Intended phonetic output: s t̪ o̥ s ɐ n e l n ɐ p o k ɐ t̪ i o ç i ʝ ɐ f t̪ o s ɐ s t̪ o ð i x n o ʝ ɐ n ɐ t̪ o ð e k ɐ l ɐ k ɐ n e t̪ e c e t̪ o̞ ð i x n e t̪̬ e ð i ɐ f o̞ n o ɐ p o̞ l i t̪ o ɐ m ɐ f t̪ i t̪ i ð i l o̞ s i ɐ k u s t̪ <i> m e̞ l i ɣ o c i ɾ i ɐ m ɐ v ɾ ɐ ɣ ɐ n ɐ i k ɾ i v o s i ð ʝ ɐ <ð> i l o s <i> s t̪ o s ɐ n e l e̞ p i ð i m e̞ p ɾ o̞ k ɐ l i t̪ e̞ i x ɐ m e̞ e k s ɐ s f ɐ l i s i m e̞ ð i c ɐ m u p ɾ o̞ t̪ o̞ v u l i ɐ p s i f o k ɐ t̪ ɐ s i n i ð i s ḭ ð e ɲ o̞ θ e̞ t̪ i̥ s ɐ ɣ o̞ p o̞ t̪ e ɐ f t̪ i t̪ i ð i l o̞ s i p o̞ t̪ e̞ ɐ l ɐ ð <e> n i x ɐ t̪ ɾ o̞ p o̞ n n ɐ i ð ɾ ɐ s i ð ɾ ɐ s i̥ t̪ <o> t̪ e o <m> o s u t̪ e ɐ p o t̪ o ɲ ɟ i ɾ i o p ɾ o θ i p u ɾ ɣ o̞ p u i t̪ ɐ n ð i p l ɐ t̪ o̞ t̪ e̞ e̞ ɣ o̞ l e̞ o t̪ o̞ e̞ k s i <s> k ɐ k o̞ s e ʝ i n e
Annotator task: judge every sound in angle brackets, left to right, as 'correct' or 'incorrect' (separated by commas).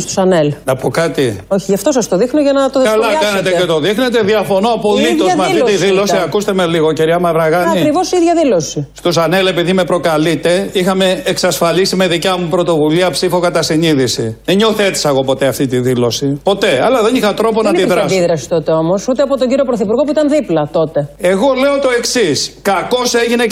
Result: incorrect, correct, correct, correct, correct, correct, correct